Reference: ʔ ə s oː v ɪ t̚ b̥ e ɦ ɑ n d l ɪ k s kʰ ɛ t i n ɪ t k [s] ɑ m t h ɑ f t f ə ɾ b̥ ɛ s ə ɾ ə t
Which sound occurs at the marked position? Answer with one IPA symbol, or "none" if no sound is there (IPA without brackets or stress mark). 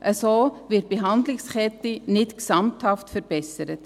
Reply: s